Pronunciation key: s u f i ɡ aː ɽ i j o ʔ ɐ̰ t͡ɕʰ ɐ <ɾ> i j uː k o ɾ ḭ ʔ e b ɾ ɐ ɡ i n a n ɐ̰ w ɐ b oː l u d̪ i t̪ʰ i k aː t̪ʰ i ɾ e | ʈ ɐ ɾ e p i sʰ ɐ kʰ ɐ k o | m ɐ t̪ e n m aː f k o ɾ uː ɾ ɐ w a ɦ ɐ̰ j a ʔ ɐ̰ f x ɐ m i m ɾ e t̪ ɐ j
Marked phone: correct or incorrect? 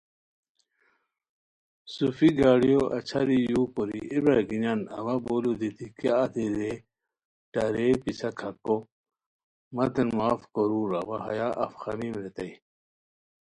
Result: correct